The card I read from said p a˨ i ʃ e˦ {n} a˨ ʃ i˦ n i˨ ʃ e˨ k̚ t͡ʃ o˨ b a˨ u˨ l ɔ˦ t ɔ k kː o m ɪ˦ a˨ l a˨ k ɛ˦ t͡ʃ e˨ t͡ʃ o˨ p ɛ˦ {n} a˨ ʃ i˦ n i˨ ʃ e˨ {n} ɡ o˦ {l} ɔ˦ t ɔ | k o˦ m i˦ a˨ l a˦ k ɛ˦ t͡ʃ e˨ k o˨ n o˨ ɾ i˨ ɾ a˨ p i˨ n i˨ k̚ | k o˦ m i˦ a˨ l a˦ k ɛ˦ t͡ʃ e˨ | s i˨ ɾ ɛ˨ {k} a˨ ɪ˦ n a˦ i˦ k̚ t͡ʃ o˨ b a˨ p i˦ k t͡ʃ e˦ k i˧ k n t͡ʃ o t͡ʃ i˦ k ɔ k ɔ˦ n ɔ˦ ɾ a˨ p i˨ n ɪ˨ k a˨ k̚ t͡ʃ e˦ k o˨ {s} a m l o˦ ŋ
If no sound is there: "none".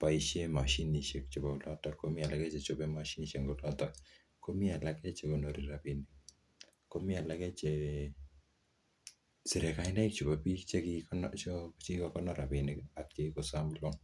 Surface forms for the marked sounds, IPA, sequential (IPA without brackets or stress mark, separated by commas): m, m, ŋ, l, k, s